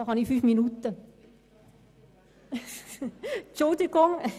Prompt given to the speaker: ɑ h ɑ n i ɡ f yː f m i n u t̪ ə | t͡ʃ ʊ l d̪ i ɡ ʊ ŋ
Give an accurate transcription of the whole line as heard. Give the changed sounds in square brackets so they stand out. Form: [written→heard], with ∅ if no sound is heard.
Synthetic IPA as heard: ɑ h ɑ n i [ɡ→∅] f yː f m i n u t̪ ə | t͡ʃ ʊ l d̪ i ɡ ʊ ŋ